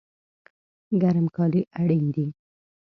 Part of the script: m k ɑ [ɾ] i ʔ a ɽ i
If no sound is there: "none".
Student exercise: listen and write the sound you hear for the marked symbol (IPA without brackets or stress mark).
l